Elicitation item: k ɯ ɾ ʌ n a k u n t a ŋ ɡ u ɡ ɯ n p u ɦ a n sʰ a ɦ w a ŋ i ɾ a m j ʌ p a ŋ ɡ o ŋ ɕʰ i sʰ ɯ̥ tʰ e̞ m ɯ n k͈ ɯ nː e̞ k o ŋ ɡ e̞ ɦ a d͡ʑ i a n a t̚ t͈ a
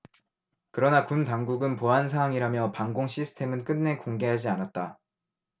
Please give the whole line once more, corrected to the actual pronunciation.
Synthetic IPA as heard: k ɯ ɾ ʌ n a k u n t a ŋ ɡ u ɡ ɯ n p o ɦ a n sʰ a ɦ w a ŋ i ɾ a m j ʌ p a ŋ ɡ o ŋ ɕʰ i sʰ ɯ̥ tʰ e̞ m ɯ n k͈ ɯ nː e̞ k o ŋ ɡ e̞ ɦ a d͡ʑ i a n a t̚ t͈ a